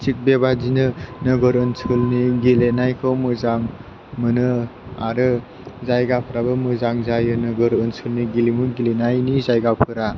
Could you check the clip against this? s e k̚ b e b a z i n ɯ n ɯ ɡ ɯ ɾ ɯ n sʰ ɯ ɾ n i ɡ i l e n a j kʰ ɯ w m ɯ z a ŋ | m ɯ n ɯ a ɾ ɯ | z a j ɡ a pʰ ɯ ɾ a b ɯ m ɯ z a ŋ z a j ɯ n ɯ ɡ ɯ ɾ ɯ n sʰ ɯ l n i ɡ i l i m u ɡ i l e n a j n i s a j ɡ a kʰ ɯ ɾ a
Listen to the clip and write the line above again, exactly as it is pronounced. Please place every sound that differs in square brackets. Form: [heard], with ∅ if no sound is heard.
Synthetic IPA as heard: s [i] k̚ b e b a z i n ɯ n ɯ ɡ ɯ ɾ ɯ n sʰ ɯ [l] n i ɡ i l e n a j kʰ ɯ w m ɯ z a ŋ | m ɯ n ɯ a ɾ ɯ | z a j ɡ a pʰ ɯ ɾ a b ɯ m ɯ z a ŋ z a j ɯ n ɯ ɡ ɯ ɾ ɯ n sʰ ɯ l n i ɡ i l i m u ɡ i l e n a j n i [z] a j ɡ a [pʰ] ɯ ɾ a